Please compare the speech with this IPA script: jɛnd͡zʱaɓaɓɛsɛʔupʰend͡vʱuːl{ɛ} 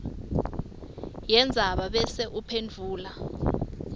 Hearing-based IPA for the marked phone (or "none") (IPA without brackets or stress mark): a